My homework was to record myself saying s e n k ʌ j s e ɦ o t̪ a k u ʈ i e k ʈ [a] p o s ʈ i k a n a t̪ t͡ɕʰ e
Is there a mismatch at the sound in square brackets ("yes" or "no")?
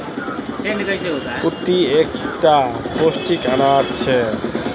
no